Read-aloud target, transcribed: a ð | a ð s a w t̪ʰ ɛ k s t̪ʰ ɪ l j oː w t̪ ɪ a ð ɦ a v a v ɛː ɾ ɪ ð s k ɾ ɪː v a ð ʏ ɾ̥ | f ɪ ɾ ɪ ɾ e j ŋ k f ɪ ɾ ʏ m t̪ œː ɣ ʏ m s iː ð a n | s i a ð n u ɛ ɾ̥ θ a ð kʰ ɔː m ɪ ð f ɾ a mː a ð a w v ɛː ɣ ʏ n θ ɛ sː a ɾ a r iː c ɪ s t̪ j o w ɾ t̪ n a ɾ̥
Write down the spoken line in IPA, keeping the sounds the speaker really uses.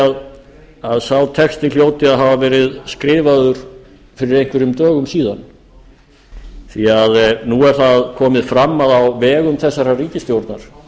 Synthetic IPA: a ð | a ð s a w t̪ʰ ɛ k s t̪ ɪ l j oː w t̪ ɪ a ð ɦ a v a v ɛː ɾ ɪ ð s k ɾ ɪː v a ð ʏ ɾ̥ | f ɪ ɾ ɪ ɾ e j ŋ k v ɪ ɾ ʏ m t̪ œː ɣ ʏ m s iː ð a n | θ i a ð n u ɛ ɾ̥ θ a ð kʰ ɔː m ɪ ð f ɾ a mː a ð a w v ɛː ɣ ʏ m θ ɛ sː a ɾ a r iː c ɪ s t̪ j o w ɾ t̪ n a ɾ̥